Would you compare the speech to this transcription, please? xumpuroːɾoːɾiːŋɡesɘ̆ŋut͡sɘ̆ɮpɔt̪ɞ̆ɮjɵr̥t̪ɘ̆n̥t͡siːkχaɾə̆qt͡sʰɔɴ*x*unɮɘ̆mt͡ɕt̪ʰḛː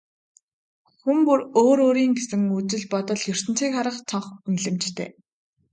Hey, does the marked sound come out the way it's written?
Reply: no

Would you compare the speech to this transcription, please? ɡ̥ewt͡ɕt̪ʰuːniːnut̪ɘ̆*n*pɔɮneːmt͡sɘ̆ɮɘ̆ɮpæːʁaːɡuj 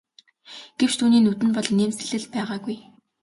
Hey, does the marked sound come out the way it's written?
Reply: yes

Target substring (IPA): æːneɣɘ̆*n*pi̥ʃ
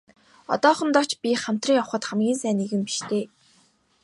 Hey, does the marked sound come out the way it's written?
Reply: no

